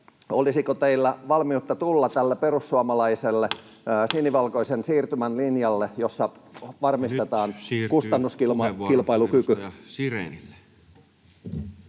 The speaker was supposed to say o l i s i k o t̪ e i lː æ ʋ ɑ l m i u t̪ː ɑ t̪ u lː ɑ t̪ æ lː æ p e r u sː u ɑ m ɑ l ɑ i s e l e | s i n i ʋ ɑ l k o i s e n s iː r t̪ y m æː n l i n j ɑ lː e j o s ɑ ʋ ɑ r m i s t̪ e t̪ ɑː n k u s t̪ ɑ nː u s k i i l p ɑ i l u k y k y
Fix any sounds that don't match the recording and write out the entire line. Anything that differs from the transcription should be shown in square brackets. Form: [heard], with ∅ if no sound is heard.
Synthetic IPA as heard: o l i s i k o t̪ e i lː æ ʋ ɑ l m i u t̪ː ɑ t̪ u lː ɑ t̪ æ lː [e] p e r u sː u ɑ m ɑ l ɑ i s e [lː] e | s i n i ʋ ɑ l k o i s e n s iː r t̪ y m [æ] n l i n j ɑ lː e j o [sː] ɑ ʋ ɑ r m i s t̪ e t̪ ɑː n k u s t̪ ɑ nː u s k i i l p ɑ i l u k y k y